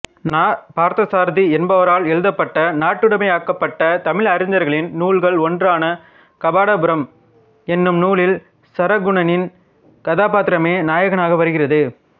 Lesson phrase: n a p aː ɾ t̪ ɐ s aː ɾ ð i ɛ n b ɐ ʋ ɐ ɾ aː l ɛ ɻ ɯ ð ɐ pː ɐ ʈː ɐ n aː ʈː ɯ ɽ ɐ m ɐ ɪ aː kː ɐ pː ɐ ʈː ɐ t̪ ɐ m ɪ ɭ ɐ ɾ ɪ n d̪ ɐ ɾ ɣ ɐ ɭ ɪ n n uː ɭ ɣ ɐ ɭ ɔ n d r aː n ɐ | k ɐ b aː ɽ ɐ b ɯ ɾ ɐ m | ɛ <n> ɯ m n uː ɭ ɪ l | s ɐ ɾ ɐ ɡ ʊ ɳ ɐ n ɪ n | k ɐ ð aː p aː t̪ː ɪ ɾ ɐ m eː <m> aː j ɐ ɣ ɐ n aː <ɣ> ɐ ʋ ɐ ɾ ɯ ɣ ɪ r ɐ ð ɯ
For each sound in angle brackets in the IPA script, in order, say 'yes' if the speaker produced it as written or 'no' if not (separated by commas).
no, no, yes